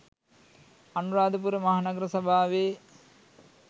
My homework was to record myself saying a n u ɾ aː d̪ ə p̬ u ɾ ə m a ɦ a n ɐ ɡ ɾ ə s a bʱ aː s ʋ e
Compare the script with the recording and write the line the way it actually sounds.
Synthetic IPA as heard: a n u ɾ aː d̪ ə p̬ u ɾ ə m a ɦ a n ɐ ɡ ɾ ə s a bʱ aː ʋ e